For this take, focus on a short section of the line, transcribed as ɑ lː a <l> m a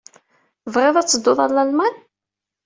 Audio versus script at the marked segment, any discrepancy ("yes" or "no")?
no